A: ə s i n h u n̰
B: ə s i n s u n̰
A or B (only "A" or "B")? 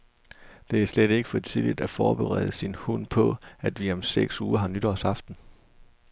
A